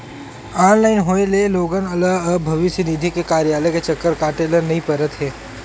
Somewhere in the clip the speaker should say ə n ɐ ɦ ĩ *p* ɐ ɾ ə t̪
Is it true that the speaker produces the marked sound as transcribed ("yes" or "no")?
yes